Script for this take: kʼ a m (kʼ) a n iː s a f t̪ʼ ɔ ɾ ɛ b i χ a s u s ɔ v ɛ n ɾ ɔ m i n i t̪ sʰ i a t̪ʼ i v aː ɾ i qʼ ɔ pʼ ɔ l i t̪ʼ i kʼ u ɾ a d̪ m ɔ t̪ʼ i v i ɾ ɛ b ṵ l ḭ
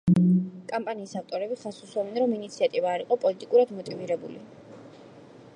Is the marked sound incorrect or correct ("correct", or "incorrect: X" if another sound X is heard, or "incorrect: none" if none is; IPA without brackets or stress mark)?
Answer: incorrect: pʼ